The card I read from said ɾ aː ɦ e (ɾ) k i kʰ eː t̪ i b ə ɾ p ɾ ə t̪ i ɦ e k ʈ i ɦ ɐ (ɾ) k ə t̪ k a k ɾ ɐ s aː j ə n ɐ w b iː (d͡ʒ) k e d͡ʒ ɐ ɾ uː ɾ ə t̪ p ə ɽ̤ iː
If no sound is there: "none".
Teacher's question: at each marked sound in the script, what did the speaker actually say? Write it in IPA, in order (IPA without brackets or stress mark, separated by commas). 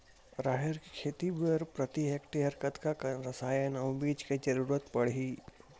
ɾ, ɾ, d͡ʒ